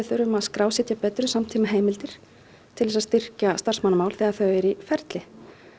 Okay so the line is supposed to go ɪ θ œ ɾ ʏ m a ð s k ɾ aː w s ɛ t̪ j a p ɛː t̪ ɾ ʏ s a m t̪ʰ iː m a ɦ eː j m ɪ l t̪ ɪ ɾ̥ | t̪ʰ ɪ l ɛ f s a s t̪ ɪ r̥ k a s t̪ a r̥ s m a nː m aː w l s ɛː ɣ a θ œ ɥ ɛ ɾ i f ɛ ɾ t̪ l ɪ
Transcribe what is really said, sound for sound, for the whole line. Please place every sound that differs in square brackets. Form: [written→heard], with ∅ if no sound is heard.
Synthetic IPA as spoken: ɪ θ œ ɾ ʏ m a ð s k ɾ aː w s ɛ t̪ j a p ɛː t̪ ɾ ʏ s a m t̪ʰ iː m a ɦ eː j m ɪ l t̪ ɪ ɾ̥ | t̪ʰ ɪ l ɛ [f→∅] s a s t̪ ɪ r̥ [k→c] a s t̪ a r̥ s m a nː m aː w l [s→θ] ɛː ɣ a θ œ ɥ ɛ ɾ i f ɛ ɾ t̪ l ɪ